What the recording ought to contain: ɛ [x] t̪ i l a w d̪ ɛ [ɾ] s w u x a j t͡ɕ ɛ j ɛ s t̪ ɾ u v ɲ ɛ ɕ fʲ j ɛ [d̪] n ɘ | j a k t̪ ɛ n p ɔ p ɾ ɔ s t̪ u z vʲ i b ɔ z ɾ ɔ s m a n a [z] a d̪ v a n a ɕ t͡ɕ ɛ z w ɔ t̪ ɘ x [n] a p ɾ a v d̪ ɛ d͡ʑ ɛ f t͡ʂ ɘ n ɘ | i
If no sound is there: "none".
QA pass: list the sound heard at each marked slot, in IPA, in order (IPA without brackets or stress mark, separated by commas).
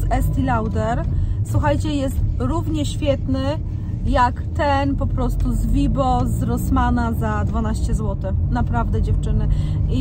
s, ɾ, t̪, z, n